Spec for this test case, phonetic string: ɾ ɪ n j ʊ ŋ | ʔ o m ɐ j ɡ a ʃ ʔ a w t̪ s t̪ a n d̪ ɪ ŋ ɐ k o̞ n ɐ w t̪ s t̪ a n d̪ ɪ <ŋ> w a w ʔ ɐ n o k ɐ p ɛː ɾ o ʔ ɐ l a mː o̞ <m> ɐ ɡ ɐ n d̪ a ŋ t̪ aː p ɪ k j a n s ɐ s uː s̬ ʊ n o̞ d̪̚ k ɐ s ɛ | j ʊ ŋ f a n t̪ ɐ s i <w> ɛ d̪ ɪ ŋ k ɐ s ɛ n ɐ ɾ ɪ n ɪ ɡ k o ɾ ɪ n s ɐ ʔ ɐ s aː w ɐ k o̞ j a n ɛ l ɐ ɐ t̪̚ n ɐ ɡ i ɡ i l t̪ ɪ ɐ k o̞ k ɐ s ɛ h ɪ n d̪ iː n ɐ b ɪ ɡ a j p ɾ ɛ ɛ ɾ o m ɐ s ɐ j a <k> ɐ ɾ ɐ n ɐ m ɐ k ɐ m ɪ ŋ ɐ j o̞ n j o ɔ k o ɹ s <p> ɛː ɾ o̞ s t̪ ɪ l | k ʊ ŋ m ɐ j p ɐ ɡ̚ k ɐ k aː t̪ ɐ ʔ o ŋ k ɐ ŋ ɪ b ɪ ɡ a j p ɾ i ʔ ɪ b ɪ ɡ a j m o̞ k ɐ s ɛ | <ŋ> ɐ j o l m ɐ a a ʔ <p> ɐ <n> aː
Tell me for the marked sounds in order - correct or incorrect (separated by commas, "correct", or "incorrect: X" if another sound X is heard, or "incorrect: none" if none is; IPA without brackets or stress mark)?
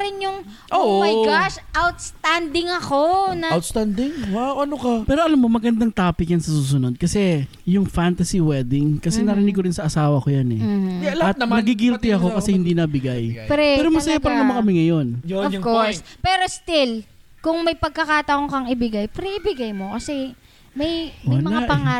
correct, correct, correct, incorrect: p, correct, incorrect: m, correct, incorrect: ŋ